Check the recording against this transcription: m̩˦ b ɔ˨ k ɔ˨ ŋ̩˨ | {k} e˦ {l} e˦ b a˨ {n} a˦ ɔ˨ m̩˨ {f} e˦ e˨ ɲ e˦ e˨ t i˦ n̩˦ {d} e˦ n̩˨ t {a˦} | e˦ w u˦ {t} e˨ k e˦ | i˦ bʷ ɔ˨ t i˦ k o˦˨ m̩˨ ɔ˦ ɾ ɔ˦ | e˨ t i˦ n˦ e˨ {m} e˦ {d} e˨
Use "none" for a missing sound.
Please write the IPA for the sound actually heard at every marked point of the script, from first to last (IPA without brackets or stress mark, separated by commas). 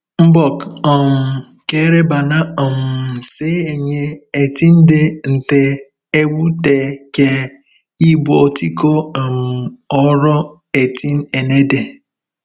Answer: k, ɾ, n, s, d, e˦, t, n, d